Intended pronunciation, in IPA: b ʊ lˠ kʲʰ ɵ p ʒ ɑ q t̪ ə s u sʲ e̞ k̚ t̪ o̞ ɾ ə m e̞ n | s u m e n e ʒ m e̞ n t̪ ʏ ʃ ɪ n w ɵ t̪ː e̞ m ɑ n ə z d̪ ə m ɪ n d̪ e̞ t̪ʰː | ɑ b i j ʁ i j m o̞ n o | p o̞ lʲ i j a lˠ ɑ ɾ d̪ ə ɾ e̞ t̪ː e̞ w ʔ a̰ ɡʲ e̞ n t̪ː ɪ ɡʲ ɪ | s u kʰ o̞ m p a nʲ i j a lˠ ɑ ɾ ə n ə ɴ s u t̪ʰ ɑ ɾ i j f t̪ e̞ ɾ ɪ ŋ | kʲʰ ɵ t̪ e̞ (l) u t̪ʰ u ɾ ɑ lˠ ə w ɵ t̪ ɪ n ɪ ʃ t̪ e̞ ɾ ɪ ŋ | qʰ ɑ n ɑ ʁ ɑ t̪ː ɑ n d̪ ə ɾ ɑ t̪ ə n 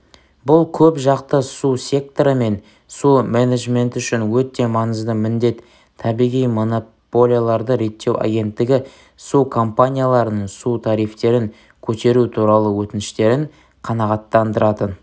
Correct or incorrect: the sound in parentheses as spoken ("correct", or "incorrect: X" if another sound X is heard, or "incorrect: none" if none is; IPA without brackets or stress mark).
incorrect: ɾ